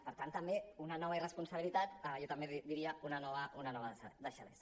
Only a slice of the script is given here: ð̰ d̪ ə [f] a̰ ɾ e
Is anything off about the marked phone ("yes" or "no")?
yes